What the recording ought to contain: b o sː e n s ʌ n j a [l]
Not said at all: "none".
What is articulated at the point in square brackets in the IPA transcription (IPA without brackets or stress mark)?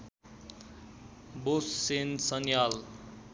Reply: l